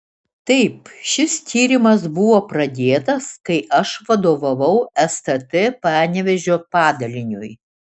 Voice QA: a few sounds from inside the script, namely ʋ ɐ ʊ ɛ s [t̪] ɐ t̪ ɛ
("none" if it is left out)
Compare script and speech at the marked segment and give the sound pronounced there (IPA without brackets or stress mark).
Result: t̪